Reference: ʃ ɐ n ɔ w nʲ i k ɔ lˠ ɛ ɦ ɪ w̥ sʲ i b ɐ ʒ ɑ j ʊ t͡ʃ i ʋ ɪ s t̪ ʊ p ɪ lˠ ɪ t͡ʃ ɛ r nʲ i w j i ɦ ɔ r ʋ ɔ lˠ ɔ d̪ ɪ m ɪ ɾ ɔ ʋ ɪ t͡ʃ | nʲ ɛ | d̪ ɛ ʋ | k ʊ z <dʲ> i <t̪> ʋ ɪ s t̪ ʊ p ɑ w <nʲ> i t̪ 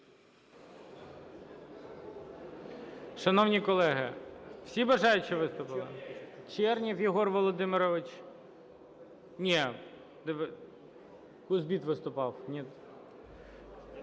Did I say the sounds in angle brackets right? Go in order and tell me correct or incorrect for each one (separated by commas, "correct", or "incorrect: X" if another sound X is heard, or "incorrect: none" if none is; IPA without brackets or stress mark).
incorrect: bʲ, correct, correct